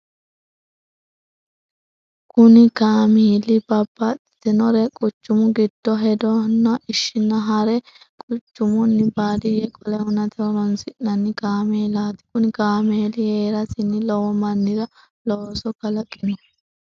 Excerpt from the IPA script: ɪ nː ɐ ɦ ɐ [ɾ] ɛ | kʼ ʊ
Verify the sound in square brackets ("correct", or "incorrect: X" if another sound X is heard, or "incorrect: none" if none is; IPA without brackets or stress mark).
correct